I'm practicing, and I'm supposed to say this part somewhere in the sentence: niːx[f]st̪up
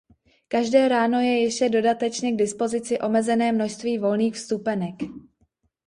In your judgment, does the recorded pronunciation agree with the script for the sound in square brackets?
yes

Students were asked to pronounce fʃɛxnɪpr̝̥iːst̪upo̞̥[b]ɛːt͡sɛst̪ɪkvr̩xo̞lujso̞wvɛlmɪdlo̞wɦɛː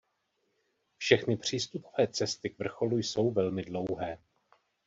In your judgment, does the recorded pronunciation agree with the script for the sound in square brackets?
no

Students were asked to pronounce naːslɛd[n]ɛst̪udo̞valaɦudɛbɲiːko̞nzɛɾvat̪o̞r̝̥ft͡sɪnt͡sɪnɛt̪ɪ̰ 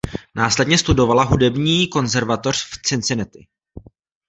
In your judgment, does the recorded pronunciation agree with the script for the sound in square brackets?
no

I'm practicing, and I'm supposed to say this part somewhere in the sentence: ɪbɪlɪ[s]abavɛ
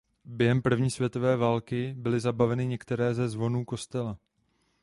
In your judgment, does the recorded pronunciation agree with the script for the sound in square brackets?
no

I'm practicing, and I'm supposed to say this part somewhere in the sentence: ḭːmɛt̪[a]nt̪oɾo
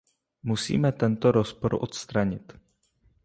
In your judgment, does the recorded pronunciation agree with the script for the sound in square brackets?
no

